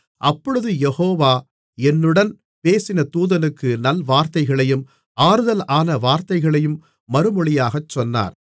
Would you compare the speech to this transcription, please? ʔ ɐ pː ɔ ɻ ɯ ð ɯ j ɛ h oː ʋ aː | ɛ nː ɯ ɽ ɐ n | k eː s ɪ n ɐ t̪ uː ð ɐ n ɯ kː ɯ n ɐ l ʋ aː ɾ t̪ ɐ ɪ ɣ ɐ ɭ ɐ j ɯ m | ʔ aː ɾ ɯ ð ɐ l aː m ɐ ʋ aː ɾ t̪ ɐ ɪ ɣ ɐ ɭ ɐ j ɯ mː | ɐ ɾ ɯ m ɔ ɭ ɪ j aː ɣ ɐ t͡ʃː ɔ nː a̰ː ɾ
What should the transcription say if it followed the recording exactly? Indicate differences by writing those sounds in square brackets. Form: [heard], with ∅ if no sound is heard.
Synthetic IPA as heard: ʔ ɐ pː ɔ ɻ ɯ ð ɯ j ɛ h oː ʋ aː | ɛ nː ɯ ɽ ɐ n | [p] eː s ɪ n ɐ t̪ uː ð ɐ n ɯ kː ɯ n ɐ l ʋ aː ɾ t̪ ɐ ɪ ɣ ɐ ɭ ɐ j ɯ m | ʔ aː ɾ ɯ ð ɐ l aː [n] ɐ ʋ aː ɾ t̪ ɐ ɪ ɣ ɐ ɭ ɐ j ɯ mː | ɐ ɾ ɯ m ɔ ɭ ɪ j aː ɣ ɐ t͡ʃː ɔ nː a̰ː ɾ